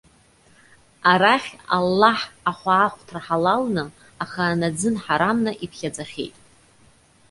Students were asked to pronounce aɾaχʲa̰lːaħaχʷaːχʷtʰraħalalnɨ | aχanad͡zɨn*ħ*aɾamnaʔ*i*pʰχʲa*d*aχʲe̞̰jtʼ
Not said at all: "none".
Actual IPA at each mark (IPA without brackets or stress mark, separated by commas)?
ħ, i, d͡z